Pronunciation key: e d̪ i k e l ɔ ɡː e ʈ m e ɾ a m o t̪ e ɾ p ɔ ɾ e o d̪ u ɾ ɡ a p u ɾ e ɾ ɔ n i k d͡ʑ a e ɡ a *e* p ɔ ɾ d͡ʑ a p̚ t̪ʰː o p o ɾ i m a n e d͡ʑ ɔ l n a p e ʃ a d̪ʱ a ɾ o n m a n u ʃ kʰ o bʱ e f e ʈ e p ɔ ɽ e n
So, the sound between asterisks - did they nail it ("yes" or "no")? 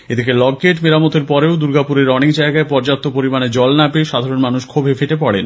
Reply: yes